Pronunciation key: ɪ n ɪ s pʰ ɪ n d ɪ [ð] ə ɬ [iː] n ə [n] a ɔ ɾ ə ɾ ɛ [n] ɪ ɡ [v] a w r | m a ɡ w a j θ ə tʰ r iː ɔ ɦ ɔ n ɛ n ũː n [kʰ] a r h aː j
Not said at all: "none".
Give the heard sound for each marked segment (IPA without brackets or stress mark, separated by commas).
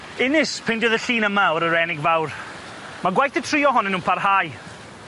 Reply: ð, iː, m, n, v, pʰ